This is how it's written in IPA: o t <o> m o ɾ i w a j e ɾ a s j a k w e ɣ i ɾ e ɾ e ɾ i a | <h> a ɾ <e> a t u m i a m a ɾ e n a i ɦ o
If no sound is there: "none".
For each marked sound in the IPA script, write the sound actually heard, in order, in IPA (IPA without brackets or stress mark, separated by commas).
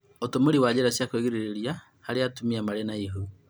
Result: o, h, e